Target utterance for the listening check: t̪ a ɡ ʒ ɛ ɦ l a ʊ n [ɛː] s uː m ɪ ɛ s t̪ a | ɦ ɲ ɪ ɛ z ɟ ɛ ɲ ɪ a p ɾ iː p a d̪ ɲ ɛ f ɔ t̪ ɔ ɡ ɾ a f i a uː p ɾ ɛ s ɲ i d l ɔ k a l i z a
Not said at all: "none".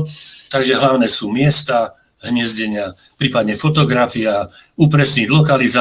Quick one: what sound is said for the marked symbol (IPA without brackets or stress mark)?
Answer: ɛː